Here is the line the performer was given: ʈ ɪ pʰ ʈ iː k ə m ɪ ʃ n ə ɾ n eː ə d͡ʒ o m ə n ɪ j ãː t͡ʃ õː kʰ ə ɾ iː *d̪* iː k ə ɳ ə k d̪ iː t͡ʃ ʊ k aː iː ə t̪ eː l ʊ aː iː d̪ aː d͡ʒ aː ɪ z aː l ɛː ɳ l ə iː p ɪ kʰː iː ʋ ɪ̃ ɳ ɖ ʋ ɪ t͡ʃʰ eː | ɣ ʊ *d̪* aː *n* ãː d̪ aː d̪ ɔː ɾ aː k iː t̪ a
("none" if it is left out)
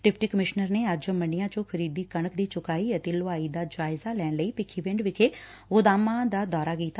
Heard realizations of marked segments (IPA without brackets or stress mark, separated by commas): d̪, d̪, m